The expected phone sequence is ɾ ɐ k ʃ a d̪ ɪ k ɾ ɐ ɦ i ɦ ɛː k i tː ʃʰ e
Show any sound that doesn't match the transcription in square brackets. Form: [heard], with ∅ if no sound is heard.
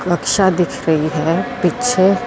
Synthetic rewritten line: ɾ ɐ k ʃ a d̪ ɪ [kʰ] ɾ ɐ ɦ i ɦ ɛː [p] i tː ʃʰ e